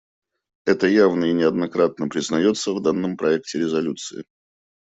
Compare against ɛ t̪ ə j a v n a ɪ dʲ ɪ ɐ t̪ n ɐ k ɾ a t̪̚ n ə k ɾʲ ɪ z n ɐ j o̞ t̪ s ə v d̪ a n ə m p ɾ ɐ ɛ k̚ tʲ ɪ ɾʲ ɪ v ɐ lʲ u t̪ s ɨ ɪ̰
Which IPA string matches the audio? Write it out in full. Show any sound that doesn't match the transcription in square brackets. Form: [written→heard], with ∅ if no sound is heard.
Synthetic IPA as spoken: ɛ t̪ ə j a v n [a→ə] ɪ [dʲ→nʲ] ɪ ɐ [t̪→d̪] n ɐ k ɾ a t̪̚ n ə [k→p] ɾʲ ɪ z n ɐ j o̞ t̪ s ə v d̪ a [n→nː] ə m p ɾ ɐ ɛ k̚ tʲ ɪ ɾʲ ɪ [v→z] ɐ lʲ u t̪ s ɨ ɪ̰